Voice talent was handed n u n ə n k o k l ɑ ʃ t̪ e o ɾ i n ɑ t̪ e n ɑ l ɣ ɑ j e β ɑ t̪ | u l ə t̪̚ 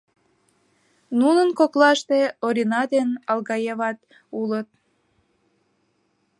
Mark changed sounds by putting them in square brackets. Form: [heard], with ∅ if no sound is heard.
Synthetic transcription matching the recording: n u n ə n k o k l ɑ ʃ t̪ e o ɾ i n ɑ [d̪] e n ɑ l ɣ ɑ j e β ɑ t̪ | u l ə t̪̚